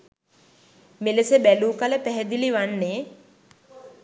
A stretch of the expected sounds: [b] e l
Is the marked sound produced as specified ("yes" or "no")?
no